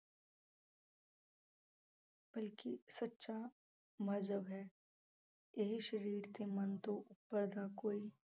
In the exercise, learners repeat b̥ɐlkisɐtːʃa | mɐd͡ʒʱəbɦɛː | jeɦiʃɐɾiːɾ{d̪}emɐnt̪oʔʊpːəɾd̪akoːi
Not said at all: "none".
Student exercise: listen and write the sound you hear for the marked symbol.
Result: t̪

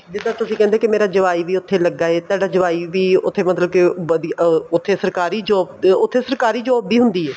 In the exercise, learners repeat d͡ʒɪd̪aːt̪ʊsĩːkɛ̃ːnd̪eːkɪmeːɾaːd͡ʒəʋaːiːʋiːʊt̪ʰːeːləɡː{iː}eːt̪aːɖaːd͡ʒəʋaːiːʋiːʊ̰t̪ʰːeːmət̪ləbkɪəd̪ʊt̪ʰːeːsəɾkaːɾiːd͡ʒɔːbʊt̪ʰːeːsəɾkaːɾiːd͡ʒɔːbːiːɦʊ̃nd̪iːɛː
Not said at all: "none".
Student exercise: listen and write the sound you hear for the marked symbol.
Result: aː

